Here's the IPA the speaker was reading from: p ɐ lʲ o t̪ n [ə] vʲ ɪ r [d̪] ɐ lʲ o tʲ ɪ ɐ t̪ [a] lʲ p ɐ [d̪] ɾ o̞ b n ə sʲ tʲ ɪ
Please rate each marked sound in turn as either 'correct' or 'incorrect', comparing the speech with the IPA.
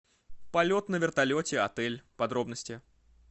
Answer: correct, incorrect, incorrect, correct

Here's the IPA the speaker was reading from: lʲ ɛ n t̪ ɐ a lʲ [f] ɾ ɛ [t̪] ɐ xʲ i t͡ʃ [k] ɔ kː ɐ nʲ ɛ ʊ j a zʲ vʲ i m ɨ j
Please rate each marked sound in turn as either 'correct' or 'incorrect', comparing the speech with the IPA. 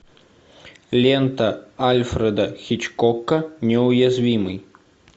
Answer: correct, incorrect, correct

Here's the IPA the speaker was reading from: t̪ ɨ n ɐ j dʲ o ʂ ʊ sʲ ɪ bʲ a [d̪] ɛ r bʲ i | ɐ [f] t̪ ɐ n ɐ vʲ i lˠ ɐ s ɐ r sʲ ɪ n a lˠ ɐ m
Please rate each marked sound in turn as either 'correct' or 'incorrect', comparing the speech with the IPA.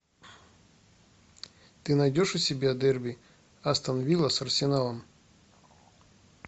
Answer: correct, incorrect

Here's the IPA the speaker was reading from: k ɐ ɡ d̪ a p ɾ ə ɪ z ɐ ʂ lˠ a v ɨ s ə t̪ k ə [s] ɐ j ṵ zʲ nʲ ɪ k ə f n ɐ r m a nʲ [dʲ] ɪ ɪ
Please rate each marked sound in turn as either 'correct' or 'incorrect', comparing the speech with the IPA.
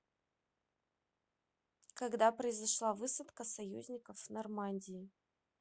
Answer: correct, correct

